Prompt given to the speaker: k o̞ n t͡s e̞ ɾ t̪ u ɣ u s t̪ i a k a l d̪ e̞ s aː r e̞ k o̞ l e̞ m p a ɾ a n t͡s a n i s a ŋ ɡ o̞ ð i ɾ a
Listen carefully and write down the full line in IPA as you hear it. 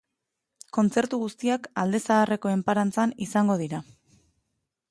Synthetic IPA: k o̞ n t͡s e̞ ɾ t̪ u ɣ u s t̪ i a k a l d̪ e̞ s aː r e̞ k o̞ e̞ m p a ɾ a n t͡s a n i s a ŋ ɡ o̞ ð i ɾ a